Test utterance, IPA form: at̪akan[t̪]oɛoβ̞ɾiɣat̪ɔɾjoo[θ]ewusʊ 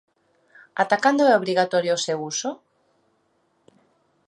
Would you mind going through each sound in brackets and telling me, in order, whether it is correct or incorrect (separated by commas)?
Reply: incorrect, incorrect